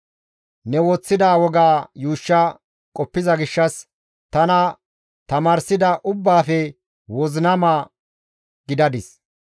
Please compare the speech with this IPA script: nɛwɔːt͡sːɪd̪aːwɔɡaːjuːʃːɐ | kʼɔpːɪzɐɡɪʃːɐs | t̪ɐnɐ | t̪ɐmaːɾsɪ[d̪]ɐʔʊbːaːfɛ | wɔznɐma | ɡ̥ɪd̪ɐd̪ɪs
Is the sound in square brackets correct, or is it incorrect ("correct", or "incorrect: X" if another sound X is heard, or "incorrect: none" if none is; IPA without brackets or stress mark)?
correct